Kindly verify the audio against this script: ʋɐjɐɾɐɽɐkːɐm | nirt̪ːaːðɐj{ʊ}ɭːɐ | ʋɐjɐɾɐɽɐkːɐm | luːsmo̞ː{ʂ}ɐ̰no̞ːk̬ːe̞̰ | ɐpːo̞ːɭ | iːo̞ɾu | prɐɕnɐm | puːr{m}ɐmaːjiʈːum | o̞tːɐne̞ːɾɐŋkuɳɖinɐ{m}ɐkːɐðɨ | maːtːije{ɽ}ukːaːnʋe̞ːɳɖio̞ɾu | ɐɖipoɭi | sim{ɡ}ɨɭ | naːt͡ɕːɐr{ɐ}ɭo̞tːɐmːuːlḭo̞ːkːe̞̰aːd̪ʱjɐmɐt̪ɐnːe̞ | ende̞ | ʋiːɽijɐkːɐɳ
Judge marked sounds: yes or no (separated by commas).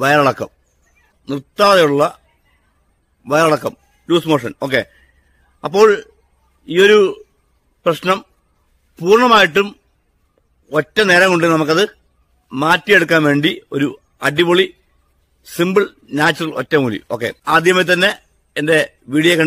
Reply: no, yes, no, yes, yes, no, yes